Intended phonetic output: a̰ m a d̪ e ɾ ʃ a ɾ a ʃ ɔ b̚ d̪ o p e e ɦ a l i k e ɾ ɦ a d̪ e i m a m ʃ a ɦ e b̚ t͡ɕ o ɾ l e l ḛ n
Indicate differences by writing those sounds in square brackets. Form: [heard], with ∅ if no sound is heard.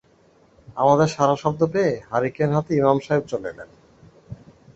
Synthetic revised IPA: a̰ m a d̪ e ɾ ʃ a ɾ a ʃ ɔ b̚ d̪ o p e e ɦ a [ɾ] i k e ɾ ɦ a [t̪] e i m a m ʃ a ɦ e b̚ t͡ɕ o [∅] l e l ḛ n

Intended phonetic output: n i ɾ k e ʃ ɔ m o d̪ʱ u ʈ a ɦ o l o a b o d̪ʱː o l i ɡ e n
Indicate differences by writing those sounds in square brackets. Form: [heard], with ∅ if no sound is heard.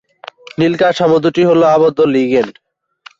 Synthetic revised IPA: n i [l] k [a] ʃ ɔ m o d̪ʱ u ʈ [i] ɦ o l o a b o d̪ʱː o l i ɡ e n

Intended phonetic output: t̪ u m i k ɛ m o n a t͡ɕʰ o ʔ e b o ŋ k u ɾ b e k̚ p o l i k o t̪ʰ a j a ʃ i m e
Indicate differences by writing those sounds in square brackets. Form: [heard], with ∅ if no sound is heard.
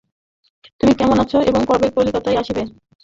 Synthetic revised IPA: t̪ u m i k ɛ m o n a t͡ɕʰ o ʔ e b o ŋ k [ɔ] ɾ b e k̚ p o l i k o [t̪] a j a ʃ i [b] e

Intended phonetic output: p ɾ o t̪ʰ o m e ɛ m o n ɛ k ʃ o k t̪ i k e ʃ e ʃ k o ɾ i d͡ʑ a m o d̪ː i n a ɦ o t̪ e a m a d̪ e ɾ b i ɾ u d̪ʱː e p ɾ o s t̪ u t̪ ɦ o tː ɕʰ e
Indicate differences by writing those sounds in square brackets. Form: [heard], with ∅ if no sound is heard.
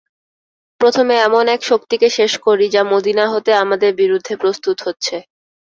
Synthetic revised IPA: p ɾ o t̪ʰ o m e ɛ m o n ɛ k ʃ o k t̪ i k e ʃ e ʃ k o ɾ i d͡ʑ a m o [d̪] i n a ɦ o t̪ e a m a d̪ e ɾ b i ɾ u d̪ʱː e p ɾ o s t̪ u t̪ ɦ o tː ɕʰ e

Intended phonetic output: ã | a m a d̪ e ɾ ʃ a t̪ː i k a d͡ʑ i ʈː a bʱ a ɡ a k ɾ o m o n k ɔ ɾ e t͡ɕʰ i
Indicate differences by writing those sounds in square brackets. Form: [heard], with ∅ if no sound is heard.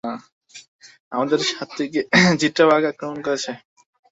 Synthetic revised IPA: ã | a m a d̪ e ɾ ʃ a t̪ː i k [e] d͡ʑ i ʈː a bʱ a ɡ a k ɾ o m o n k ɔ ɾ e t͡ɕʰ [e]

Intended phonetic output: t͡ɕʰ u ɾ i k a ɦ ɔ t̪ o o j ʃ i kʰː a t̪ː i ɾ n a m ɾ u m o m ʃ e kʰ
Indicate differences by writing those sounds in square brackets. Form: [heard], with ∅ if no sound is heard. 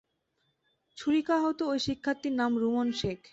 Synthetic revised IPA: t͡ɕʰ u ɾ i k a ɦ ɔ t̪ o o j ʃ i kʰː a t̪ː i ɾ n a m ɾ u m o [n] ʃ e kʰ

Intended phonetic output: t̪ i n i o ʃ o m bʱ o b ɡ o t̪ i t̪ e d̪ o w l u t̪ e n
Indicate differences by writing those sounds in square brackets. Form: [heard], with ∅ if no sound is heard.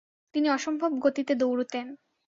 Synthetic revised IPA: t̪ i n i [ɔ] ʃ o m bʱ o b ɡ o t̪ i t̪ e d̪ o w [ɾ] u t̪ e n

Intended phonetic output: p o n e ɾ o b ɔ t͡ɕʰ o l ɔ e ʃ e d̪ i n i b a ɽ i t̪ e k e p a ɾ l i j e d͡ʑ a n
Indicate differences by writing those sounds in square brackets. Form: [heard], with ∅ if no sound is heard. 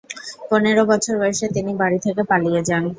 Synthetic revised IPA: p o n e ɾ o b ɔ t͡ɕʰ o [ɾ] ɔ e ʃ e [t̪] i n i b a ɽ i [t̪ʰ] e k e p a [∅] l i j e d͡ʑ a n

